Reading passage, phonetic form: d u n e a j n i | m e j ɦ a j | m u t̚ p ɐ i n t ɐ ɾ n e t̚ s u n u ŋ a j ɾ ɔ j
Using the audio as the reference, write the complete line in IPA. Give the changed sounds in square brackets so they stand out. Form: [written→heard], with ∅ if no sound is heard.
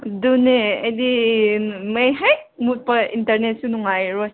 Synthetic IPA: d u n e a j [n→d] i | m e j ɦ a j | m u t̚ p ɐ i n t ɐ ɾ n e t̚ s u n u ŋ a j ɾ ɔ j